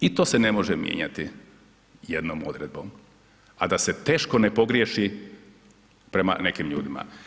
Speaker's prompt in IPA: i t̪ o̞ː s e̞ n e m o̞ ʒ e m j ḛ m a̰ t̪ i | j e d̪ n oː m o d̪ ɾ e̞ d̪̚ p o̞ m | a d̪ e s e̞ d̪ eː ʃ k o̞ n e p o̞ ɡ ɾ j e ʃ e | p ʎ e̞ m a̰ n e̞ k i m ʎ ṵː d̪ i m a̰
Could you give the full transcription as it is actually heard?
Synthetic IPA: i t̪ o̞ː s e̞ n e m o̞ ʒ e m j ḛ ɲ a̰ t̪ i | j e d̪ n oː m o d̪ ɾ e̞ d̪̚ b o̞ m | a d̪ a s e̞ t̪ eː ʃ k o̞ n e p o̞ ɡ ɾ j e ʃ i | p ɾ e̞ m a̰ n e̞ k i m ʎ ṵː d̪ i m a̰